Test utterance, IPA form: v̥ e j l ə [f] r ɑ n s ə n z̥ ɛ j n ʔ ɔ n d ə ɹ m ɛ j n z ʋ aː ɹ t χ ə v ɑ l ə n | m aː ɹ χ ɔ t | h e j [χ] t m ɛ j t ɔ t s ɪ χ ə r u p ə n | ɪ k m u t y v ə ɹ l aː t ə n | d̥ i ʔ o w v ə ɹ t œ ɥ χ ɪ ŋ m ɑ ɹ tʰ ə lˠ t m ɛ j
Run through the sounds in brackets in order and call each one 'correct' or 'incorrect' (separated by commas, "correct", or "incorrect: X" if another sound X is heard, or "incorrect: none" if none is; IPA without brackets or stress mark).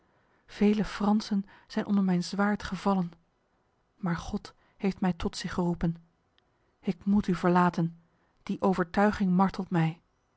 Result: correct, incorrect: f